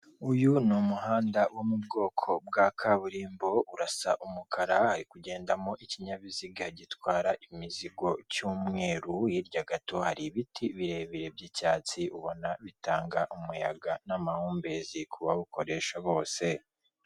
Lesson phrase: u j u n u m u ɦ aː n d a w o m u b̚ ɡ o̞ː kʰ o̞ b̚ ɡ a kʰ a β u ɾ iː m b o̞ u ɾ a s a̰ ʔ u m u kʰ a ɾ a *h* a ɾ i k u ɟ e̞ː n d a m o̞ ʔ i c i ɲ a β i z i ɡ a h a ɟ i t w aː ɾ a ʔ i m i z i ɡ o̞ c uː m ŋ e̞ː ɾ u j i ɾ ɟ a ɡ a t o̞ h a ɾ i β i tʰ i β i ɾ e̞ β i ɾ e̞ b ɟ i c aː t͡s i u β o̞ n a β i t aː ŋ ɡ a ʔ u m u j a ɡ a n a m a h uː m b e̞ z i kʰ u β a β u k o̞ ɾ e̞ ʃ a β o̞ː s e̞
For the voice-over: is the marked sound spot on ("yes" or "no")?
yes